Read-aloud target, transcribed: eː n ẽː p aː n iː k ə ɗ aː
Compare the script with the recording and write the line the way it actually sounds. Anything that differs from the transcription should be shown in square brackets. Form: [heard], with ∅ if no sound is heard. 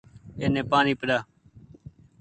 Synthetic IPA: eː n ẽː p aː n iː [p] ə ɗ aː

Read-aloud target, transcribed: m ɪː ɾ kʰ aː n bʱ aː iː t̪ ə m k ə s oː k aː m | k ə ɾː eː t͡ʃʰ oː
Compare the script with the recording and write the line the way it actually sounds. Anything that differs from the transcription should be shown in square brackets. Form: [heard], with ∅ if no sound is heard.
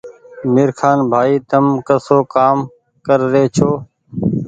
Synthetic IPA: m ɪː ɾ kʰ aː n bʱ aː iː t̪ ə m k ə s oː k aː m | k ə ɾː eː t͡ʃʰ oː

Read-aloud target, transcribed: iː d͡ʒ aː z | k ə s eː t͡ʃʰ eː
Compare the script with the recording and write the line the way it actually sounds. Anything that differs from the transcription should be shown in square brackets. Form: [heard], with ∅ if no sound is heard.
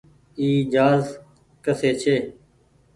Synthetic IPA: iː d͡ʒ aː z | k ə s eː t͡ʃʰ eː

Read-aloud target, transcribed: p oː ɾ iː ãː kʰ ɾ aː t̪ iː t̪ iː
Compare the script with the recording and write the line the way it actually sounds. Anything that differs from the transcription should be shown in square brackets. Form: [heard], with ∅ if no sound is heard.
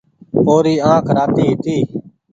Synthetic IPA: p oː ɾ iː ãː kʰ ɾ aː t̪ iː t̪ iː

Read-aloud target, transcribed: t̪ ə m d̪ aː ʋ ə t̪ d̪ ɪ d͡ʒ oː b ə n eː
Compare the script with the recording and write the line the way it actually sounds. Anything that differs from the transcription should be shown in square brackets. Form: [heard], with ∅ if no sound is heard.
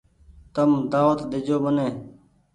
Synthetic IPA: t̪ ə m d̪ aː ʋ ə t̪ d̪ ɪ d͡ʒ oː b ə n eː

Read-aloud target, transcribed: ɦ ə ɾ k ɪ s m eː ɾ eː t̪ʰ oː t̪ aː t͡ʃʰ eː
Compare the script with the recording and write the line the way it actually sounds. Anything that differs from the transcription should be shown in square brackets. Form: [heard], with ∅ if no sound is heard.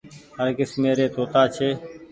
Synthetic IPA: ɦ ə ɾ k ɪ s m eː ɾ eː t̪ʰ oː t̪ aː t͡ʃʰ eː

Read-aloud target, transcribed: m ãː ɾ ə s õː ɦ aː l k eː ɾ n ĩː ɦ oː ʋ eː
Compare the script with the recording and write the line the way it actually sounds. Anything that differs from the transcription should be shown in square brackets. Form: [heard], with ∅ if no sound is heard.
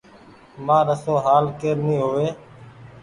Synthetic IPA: m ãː ɾ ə s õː ɦ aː l k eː ɾ n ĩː ɦ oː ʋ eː

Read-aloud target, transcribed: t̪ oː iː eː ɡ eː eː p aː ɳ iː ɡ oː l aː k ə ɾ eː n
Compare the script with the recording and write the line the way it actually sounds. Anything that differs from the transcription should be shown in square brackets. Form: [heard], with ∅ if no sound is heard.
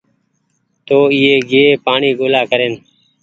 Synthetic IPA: t̪ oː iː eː ɡ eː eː p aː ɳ iː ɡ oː l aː k ə ɾ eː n

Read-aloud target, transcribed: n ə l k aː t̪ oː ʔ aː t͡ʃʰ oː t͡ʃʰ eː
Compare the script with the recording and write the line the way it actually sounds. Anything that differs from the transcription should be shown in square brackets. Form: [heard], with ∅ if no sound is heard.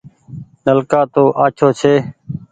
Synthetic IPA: n ə l k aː t̪ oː ʔ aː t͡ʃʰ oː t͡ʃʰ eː

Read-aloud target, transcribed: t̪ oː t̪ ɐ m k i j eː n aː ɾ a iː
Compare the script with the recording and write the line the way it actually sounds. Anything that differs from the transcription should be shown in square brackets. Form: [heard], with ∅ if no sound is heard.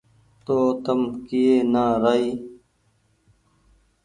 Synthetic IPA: t̪ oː t̪ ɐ m k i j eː n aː ɾ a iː

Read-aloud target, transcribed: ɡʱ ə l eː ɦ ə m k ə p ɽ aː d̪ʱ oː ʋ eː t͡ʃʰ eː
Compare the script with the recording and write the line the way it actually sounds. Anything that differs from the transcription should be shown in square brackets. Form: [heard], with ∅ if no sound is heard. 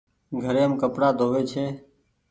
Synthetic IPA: ɡʱ ə [ɾ] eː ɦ ə m k ə p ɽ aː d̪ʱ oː ʋ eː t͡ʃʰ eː

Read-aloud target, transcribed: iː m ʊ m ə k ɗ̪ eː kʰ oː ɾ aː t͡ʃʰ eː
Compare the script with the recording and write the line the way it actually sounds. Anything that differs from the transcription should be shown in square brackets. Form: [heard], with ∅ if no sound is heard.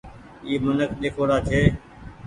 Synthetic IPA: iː m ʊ [n] ə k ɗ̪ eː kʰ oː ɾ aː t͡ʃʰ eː

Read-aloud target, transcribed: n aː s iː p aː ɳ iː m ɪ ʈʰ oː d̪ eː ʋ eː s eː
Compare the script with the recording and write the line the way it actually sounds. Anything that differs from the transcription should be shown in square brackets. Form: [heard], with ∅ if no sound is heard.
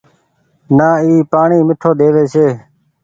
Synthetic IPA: n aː [∅] iː p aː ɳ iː m ɪ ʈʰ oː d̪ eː ʋ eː s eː

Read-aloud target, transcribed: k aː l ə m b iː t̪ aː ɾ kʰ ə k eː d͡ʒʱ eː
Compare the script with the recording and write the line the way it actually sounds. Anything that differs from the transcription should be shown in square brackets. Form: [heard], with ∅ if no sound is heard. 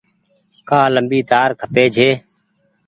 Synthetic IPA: k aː l ə m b iː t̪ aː ɾ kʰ ə [p] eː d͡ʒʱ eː

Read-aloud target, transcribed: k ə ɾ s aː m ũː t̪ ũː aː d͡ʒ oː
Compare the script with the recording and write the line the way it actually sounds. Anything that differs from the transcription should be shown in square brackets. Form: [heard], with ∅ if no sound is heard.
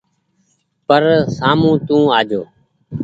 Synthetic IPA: [p] ə ɾ s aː m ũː t̪ ũː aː d͡ʒ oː

